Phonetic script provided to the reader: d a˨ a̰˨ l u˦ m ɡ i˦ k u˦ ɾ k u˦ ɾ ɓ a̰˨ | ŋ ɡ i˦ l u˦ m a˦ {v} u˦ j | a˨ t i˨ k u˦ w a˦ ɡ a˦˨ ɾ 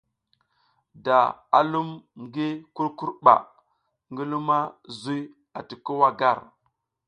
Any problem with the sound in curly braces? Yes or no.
yes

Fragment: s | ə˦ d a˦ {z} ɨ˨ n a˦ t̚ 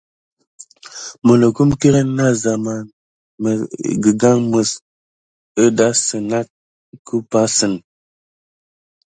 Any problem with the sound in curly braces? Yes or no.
yes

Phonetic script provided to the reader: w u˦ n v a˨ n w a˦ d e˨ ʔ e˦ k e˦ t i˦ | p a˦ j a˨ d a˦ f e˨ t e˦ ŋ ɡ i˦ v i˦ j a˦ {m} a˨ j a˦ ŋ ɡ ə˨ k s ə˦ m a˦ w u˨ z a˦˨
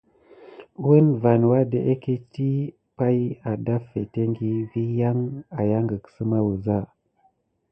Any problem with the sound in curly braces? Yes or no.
yes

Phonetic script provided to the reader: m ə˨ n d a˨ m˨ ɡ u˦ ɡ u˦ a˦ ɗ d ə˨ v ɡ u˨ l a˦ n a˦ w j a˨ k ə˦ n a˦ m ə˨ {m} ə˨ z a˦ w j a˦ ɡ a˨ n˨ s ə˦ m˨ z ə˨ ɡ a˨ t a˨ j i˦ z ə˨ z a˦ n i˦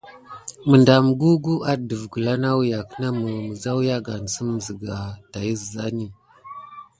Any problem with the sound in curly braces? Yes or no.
no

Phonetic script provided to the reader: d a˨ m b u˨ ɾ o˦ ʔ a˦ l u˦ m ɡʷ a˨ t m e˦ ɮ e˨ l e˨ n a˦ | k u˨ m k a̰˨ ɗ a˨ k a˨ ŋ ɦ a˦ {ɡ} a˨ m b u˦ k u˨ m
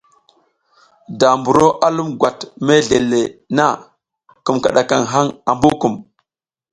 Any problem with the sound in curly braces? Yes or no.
yes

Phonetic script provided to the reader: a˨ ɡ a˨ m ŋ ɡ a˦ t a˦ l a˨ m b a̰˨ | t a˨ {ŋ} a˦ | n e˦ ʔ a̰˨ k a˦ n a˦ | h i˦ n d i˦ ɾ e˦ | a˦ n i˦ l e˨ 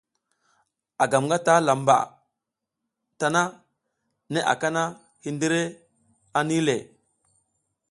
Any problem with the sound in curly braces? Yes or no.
yes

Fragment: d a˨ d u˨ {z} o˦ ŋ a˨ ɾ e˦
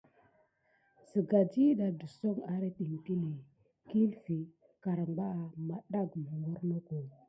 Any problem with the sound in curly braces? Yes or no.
yes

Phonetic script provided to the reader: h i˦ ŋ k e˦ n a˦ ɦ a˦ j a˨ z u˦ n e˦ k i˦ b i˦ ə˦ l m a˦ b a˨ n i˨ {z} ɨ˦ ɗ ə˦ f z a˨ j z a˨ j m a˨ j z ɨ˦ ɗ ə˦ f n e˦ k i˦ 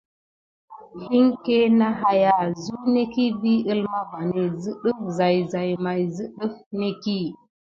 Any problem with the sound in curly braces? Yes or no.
no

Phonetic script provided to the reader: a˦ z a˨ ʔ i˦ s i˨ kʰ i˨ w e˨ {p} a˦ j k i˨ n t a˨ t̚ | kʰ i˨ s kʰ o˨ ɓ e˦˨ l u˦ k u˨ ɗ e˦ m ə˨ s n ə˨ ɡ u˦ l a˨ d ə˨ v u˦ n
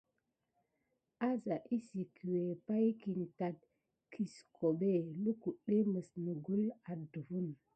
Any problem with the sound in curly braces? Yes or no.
no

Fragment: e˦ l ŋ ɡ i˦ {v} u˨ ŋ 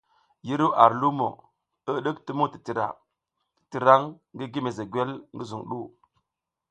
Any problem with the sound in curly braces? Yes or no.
yes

